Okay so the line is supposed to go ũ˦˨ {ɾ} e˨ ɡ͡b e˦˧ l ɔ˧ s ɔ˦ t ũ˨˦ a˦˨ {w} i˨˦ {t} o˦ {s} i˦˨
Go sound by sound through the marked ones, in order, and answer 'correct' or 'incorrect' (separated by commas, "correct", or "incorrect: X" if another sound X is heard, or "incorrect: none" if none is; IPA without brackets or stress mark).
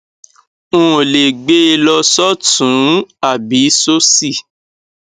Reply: incorrect: l, incorrect: b, incorrect: s, correct